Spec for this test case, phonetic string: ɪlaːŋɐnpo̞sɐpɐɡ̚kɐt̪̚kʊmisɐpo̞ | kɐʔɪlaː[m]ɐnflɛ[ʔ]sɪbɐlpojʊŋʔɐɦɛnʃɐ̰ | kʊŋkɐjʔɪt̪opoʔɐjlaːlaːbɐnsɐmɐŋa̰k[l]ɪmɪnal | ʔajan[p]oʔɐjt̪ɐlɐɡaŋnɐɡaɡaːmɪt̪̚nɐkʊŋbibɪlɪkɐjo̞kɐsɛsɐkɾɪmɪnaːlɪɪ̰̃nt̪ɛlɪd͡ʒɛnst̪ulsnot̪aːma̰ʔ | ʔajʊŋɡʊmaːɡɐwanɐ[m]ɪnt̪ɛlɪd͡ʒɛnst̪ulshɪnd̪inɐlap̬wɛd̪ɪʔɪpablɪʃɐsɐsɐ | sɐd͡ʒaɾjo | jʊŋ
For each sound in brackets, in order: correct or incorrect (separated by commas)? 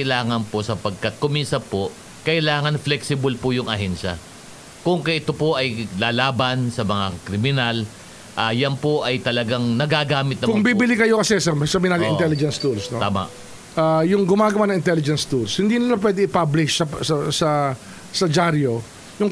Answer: incorrect, incorrect, incorrect, correct, incorrect